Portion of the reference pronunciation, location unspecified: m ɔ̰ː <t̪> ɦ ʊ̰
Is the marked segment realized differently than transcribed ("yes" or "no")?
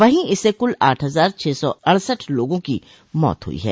no